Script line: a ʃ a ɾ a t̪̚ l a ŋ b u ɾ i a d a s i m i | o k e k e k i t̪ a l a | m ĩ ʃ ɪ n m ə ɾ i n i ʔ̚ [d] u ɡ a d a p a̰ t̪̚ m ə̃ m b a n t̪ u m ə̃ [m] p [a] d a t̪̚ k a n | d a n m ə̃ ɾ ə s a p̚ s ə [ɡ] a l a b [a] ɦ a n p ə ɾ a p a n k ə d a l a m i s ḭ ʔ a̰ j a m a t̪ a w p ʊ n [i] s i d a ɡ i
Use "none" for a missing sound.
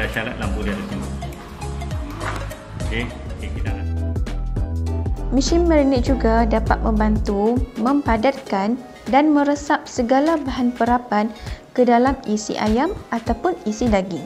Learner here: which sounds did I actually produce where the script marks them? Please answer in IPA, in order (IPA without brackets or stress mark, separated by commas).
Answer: d͡ʒ, m, a, ɡ, a, i